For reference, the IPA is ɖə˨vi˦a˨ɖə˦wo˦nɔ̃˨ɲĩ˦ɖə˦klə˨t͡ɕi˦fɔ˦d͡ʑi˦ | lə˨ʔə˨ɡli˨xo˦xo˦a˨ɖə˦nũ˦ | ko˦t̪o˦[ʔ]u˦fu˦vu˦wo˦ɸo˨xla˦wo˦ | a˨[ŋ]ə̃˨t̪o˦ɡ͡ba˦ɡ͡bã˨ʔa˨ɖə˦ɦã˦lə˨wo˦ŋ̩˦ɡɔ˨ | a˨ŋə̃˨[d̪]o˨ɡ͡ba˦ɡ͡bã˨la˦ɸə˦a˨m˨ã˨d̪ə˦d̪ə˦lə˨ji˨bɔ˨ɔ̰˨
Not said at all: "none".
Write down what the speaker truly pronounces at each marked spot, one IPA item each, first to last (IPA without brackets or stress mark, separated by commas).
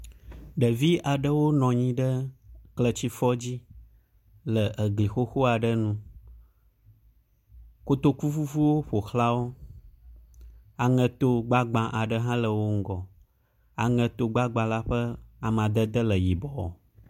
k, ŋ, t̪